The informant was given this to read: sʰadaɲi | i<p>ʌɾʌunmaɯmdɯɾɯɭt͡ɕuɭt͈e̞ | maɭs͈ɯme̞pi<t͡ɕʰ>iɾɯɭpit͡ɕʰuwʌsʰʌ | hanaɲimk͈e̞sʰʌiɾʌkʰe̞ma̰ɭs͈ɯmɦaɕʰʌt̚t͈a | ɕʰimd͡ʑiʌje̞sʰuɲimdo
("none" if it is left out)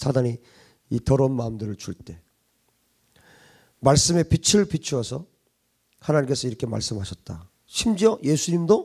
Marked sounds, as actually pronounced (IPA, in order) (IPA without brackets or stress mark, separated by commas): t, t͡ɕʰ